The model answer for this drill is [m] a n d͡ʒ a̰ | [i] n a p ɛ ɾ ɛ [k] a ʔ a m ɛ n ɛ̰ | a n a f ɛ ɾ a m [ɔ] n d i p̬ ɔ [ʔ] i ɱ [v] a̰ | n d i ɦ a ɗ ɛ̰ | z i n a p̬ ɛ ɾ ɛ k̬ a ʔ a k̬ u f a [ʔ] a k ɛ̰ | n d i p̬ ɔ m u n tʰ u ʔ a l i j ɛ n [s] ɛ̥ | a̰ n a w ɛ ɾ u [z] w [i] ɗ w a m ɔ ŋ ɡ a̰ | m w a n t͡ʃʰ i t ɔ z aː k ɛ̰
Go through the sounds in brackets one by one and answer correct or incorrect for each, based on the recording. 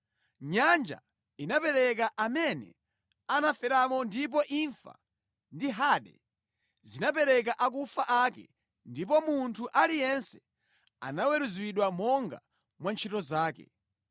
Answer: incorrect: ɲ, correct, correct, correct, correct, incorrect: f, correct, correct, correct, correct

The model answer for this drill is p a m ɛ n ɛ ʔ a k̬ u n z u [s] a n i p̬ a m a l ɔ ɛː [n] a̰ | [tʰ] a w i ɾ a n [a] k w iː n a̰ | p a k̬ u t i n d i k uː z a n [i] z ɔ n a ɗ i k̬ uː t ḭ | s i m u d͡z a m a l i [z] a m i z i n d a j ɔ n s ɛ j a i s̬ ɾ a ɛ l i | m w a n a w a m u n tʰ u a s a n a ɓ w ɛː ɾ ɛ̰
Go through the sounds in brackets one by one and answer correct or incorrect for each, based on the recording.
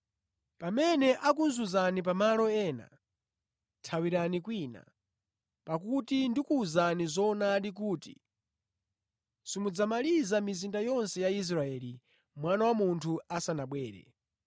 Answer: incorrect: z, correct, correct, incorrect: i, correct, correct

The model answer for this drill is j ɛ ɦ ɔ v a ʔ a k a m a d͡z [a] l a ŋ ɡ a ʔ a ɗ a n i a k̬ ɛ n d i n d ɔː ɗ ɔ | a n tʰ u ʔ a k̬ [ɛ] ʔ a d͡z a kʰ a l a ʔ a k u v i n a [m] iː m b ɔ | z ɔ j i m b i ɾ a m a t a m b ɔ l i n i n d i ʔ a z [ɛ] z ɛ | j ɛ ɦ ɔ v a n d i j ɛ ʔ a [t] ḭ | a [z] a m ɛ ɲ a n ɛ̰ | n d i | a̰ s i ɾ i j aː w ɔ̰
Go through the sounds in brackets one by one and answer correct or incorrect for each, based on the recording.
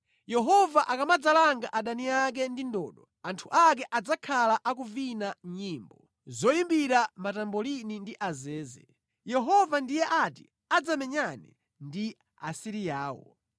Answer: correct, correct, incorrect: ɲ, incorrect: ɛː, correct, incorrect: d͡z

